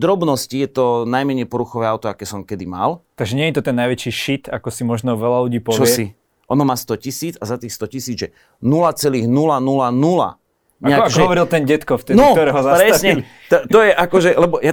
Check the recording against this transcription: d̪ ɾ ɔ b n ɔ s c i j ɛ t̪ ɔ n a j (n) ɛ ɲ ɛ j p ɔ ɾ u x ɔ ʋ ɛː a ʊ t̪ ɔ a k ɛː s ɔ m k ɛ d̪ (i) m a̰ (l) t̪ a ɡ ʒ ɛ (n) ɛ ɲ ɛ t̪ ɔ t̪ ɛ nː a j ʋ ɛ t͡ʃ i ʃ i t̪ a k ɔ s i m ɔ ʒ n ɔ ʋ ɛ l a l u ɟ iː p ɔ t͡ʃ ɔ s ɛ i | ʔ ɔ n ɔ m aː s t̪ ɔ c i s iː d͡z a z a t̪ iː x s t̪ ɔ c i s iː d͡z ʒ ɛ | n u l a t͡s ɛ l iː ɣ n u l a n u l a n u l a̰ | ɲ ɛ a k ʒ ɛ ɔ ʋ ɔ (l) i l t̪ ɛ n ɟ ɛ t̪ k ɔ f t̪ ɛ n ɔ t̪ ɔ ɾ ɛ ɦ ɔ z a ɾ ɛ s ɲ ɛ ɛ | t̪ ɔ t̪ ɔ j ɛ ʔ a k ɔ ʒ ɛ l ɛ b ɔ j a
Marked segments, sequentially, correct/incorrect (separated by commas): incorrect, correct, correct, incorrect, incorrect